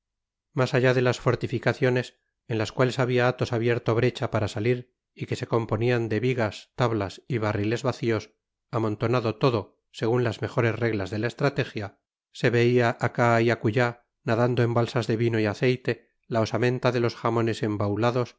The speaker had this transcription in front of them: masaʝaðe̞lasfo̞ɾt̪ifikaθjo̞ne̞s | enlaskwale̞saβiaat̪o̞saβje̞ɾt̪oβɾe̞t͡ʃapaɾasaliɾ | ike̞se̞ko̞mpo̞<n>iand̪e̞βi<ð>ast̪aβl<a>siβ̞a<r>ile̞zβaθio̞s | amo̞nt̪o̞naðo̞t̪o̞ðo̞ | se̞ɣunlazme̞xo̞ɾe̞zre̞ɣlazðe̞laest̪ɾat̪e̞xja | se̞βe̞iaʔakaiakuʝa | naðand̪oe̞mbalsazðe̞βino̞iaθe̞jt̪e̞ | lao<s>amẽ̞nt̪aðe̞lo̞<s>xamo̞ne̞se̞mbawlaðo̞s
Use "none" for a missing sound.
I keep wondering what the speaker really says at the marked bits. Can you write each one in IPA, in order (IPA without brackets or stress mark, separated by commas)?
n, ɣ, a, r, s, s